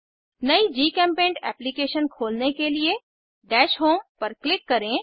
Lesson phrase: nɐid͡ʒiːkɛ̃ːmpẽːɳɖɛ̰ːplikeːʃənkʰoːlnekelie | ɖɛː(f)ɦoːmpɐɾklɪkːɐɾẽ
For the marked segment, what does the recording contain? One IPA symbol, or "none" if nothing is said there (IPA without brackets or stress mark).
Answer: ʃ